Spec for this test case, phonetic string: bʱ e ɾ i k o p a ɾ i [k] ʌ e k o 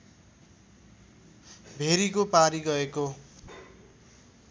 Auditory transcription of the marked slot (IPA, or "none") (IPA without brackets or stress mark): ɡ